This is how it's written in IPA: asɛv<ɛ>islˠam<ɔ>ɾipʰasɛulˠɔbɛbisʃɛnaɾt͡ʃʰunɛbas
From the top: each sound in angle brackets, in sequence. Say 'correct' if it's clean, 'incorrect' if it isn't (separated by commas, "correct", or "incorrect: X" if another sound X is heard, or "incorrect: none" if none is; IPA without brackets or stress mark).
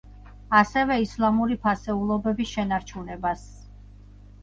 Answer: correct, incorrect: u